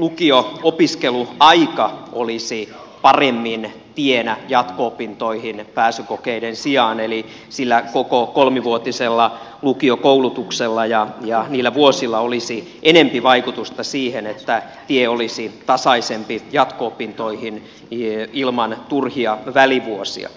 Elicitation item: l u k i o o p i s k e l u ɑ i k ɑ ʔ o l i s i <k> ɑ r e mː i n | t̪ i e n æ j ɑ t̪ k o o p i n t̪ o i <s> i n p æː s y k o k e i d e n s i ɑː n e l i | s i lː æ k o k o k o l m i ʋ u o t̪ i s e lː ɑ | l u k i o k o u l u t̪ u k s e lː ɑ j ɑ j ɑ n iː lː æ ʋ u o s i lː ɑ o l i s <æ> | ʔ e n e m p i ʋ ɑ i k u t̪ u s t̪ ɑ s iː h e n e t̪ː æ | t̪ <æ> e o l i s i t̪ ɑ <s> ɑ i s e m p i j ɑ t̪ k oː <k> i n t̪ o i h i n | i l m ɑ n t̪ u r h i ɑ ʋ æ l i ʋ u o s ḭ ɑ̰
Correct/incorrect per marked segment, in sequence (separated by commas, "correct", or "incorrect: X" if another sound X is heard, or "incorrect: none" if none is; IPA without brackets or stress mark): incorrect: p, incorrect: h, incorrect: i, incorrect: i, correct, incorrect: p